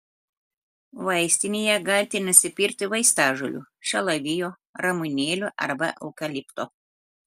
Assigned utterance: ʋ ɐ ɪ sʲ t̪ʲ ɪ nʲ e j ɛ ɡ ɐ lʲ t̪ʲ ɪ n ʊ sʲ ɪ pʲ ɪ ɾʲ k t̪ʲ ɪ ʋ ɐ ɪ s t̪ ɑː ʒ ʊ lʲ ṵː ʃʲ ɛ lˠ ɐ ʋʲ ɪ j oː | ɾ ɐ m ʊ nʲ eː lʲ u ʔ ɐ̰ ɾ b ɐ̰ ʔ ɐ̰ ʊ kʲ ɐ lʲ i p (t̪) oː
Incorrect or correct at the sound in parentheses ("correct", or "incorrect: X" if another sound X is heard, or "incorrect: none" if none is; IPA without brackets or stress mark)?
correct